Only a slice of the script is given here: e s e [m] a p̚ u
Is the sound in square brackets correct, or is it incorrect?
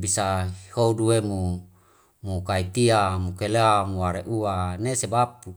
incorrect